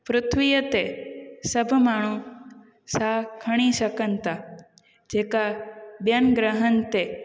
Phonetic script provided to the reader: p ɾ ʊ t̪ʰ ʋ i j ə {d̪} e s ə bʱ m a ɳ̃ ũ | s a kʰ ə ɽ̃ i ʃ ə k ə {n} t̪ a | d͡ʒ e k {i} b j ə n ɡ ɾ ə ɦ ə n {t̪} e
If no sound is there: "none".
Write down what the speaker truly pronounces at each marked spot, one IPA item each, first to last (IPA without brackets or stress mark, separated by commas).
t̪, n, a, t̪